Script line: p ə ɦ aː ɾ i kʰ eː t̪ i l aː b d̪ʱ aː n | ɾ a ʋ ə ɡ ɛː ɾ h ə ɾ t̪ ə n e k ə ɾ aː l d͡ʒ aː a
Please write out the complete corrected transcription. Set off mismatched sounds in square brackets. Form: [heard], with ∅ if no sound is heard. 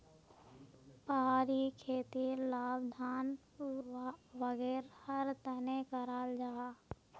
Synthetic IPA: p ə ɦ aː ɾ i kʰ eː t̪ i l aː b d̪ʱ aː n | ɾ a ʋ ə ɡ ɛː ɾ h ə ɾ t̪ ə n e k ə ɾ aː l d͡ʒ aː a